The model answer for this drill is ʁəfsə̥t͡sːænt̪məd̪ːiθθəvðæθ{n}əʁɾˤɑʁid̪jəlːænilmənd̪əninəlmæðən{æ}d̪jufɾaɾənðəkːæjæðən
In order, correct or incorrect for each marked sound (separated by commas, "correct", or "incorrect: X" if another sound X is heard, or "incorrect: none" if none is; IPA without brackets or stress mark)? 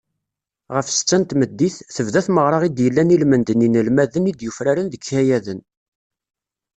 incorrect: m, incorrect: i